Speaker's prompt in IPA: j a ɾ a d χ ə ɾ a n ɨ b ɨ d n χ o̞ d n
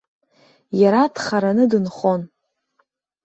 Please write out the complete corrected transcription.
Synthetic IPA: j a ɾ a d χ a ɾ a n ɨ d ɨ n χ o̞ n